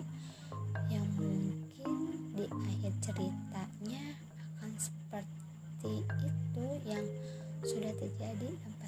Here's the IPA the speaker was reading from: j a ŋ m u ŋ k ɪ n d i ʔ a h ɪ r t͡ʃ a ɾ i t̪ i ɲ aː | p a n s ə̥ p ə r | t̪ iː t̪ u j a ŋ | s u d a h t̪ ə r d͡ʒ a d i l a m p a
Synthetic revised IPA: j a ŋ m u ŋ k ɪ n d i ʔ a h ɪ r t͡ʃ ə ɾ i t̪ a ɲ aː | k a n s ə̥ p ə r | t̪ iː t̪ u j a ŋ | s u d a h t̪ ə r d͡ʒ a d i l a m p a